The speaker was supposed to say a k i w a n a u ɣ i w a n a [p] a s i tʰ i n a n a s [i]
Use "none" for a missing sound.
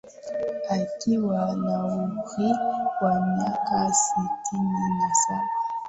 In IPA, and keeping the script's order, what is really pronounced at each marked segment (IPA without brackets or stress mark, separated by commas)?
k, a